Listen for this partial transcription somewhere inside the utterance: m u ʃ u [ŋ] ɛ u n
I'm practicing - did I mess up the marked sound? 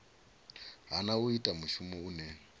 yes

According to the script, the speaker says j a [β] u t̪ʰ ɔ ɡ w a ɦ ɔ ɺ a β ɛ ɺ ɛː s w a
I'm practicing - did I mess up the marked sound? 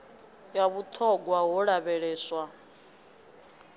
no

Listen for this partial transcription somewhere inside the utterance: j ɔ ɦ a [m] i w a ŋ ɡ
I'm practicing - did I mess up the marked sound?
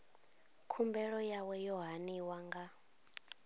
yes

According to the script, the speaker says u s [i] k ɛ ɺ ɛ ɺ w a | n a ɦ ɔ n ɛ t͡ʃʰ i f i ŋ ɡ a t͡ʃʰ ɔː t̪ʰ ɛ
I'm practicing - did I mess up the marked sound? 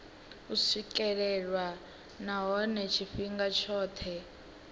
no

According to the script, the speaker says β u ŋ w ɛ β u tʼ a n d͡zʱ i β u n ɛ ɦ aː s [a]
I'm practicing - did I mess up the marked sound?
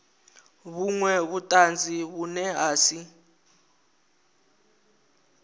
yes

